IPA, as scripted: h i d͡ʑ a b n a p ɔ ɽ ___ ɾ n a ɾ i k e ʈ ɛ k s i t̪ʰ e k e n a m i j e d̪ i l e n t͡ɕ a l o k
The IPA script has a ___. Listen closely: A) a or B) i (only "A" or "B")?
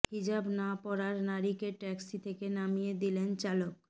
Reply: A